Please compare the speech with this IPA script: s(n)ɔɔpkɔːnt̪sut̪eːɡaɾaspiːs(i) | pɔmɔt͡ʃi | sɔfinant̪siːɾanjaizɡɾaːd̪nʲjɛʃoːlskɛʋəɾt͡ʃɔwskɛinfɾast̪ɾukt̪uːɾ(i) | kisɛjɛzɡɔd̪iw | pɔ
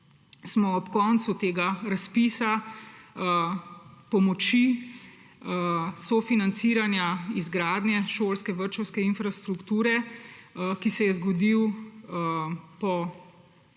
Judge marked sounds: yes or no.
no, no, no

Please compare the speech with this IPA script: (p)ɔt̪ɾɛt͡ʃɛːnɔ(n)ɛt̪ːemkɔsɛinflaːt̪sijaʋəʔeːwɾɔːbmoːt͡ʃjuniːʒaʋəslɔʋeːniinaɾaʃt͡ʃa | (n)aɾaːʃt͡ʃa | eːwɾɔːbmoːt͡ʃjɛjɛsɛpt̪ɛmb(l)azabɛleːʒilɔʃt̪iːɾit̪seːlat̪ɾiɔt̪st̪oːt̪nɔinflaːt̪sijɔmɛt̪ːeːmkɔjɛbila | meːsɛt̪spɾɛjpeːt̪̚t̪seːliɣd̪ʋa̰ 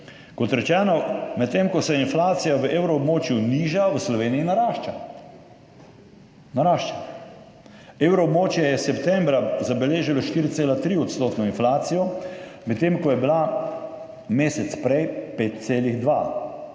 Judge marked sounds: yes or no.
no, no, yes, no

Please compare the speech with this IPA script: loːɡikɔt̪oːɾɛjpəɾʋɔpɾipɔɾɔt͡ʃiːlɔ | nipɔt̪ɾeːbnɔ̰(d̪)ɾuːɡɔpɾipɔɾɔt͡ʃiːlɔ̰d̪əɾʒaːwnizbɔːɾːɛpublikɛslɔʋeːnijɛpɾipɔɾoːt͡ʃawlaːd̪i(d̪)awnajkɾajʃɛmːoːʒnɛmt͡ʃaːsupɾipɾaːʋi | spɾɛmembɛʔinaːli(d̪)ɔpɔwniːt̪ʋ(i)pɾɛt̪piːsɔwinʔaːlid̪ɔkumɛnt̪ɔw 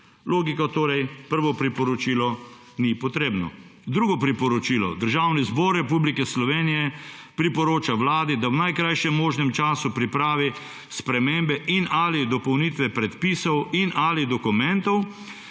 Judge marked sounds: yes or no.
yes, yes, yes, no

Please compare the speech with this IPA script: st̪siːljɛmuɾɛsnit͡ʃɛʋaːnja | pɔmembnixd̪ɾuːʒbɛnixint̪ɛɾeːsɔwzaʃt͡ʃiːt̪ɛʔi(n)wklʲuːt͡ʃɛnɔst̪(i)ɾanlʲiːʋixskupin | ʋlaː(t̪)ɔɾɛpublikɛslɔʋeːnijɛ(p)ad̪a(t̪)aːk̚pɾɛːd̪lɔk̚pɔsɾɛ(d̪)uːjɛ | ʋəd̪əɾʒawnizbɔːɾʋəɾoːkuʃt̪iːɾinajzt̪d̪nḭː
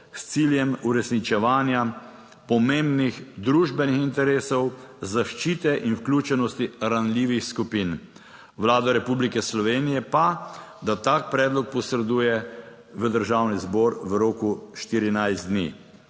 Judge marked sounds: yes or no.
yes, yes, no, yes, yes, yes

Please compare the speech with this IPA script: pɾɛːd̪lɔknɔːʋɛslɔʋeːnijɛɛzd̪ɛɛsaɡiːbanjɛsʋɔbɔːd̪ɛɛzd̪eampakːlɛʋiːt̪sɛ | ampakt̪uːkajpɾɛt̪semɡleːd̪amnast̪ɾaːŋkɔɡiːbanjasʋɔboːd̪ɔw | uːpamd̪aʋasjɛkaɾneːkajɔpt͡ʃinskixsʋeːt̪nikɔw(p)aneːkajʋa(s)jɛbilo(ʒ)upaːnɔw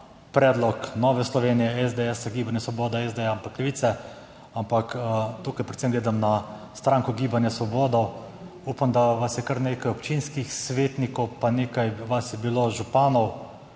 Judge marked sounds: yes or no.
yes, yes, yes

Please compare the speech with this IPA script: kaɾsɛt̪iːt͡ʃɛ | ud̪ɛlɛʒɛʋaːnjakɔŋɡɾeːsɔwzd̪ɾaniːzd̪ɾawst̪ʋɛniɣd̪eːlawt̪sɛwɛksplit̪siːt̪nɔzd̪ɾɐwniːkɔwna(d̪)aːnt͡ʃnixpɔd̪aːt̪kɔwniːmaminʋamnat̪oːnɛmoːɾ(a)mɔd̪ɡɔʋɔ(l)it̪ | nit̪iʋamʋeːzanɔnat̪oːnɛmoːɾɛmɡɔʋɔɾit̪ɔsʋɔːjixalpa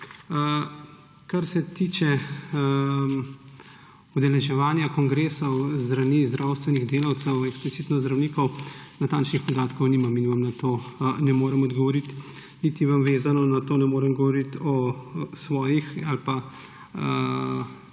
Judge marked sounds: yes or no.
no, no, no

